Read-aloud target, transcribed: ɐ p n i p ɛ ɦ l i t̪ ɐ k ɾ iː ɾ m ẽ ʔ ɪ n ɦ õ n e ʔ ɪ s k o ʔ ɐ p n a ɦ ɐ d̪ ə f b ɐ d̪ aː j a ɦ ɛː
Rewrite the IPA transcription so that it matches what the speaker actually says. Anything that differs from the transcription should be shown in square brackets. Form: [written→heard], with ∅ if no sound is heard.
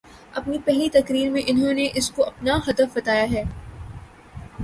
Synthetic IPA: ɐ p n i p ɛ ɦ l i t̪ ɐ k ɾ iː ɾ m ẽ ʔ ɪ n ɦ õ n e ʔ ɪ s k o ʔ ɐ p n a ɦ ɐ d̪ ə f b ɐ [d̪→t̪] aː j a ɦ ɛː